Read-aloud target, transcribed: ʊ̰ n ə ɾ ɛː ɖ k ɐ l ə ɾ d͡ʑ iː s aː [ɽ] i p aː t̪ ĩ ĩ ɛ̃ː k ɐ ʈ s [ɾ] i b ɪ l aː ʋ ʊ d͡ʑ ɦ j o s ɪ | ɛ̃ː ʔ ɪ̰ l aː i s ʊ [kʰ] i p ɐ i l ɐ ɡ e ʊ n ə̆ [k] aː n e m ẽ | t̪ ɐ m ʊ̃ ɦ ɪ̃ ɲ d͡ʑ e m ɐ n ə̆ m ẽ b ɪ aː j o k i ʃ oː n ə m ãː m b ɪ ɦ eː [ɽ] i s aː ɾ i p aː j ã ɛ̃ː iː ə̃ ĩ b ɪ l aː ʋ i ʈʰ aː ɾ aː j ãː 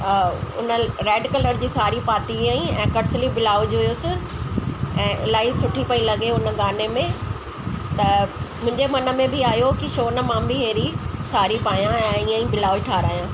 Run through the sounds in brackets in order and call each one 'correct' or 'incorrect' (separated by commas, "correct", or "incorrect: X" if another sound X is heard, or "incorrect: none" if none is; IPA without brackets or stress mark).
incorrect: ɾ, incorrect: l, incorrect: ʈʰ, incorrect: ɡ, incorrect: ɾ